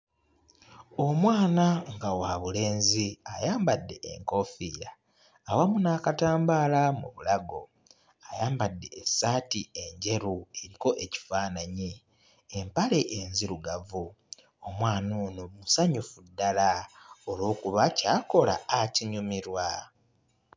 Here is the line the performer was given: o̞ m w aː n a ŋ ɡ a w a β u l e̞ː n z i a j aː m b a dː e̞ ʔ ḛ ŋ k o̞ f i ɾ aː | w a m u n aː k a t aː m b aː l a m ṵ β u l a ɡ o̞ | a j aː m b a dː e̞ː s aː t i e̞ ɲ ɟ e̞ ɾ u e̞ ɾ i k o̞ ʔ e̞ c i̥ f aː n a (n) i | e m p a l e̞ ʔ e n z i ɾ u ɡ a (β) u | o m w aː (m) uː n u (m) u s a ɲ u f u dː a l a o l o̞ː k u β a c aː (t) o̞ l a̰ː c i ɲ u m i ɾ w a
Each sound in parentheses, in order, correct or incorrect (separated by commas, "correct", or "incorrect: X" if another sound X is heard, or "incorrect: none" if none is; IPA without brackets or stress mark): incorrect: ɲ, incorrect: v, incorrect: n, correct, incorrect: k